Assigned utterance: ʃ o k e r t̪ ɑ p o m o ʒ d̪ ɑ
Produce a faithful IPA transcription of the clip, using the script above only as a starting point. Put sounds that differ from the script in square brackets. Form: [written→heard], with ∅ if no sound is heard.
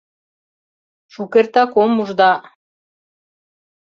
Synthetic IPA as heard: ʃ [o→u] k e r t̪ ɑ [p→k] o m [o→u] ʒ d̪ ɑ